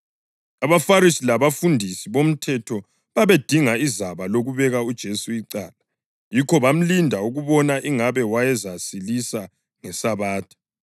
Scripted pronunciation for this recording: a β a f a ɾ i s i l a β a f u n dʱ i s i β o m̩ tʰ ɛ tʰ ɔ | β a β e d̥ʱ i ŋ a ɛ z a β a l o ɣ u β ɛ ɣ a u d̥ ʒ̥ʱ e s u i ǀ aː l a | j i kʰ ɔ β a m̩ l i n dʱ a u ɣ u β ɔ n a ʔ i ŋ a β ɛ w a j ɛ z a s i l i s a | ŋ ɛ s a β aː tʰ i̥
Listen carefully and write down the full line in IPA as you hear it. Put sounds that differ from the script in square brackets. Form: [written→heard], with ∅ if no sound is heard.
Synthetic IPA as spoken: a β a f a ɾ i s i l a β a f u n dʱ i s i β o m̩ tʰ ɛ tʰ ɔ | β a β e d̥ʱ i ŋ a [ɛ→i] z a β a l o ɣ u β ɛ ɣ a u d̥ ʒ̥ʱ e s u i ǀ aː l a | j i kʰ ɔ β a m̩ l i n dʱ a u ɣ u β ɔ n a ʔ i ŋ a β ɛ w a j ɛ z a s i l i s a | ŋ ɛ s a β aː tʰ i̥